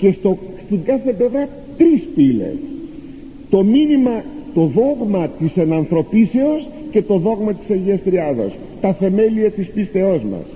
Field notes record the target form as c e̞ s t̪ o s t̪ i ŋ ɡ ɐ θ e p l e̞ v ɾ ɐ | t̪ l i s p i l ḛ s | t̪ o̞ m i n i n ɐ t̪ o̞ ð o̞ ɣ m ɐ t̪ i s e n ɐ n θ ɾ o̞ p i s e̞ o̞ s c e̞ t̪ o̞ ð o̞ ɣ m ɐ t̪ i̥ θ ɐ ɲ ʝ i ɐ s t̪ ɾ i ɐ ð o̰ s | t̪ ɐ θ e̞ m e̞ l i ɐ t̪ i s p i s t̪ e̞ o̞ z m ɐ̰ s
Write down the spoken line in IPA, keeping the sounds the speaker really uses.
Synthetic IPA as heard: c e̞ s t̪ o s t̪ i ŋ ɡ ɐ θ e p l e̞ v ɾ ɐ | t̪ ɾ i s p i l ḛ s | t̪ o̞ m i n i m ɐ t̪ o̞ ð o̞ ɣ m ɐ t̪ i s e n ɐ n θ ɾ o̞ p i s e̞ o̞ s c e̞ t̪ o̞ ð o̞ ɣ m ɐ t̪ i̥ s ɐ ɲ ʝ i ɐ s t̪ ɾ i ɐ ð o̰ s | t̪ ɐ θ e̞ m e̞ l i ɐ t̪ i s p i s t̪ e̞ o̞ z m ɐ̰ s